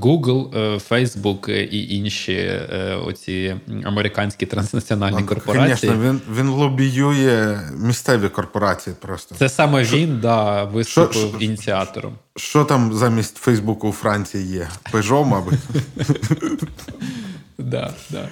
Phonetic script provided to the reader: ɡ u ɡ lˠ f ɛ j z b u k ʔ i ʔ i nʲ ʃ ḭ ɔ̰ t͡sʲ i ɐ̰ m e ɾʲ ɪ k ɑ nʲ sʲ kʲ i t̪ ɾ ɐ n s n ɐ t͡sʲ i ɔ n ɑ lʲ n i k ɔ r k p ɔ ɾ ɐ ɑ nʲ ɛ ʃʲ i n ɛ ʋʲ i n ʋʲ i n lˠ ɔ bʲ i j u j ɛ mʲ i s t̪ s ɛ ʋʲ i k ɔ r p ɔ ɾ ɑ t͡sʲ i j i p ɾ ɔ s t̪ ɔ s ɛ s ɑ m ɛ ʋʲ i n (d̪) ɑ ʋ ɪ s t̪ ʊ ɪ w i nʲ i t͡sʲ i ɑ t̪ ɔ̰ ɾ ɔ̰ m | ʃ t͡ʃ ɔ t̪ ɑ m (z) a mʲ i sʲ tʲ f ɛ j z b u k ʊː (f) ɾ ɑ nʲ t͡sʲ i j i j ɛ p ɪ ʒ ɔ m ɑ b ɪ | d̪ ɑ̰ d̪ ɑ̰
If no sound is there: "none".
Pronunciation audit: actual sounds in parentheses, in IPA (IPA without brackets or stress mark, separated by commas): d̪, z, f